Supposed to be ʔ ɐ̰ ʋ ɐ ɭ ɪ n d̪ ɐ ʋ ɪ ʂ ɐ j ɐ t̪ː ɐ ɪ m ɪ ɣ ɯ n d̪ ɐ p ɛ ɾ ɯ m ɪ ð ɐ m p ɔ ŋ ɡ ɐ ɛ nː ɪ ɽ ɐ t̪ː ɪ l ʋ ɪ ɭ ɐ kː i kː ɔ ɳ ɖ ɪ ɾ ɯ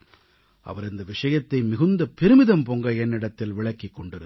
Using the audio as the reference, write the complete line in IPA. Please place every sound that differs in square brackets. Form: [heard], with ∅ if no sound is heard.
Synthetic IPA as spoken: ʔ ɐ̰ ʋ ɐ [ɾ] ɪ n d̪ ɐ ʋ ɪ ʂ ɐ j ɐ t̪ː ɐ ɪ m ɪ ɣ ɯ n d̪ ɐ p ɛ ɾ ɯ m ɪ ð ɐ m p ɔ ŋ ɡ ɐ ɛ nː ɪ ɽ ɐ t̪ː ɪ l ʋ ɪ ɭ ɐ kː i kː ɔ ɳ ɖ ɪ ɾ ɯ